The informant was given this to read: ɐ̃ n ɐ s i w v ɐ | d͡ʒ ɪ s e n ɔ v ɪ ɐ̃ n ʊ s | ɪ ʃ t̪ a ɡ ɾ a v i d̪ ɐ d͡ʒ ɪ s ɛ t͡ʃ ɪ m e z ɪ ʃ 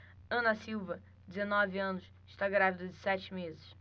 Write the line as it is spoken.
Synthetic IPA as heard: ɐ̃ n ɐ s i w v ɐ | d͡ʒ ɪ z e n ɔ v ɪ ɐ̃ n ʊ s | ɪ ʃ t̪ a ɡ ɾ a v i d̪ ɐ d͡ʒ ɪ s ɛ t͡ʃ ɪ m e z ɪ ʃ